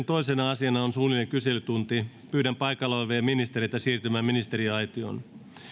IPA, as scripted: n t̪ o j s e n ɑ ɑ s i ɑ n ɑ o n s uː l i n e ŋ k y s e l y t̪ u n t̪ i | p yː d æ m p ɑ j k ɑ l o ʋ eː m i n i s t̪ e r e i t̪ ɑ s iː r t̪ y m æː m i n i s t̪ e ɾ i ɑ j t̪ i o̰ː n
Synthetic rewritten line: n t̪ o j s e n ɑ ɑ s i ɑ n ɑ o n s uː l i n e ŋ k y s e l y t̪ u n t̪ i | p yː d æ m p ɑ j k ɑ l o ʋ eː m i n i s t̪ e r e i t̪ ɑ s iː r t̪ y m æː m i n i s t̪ e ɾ i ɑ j t̪ i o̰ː n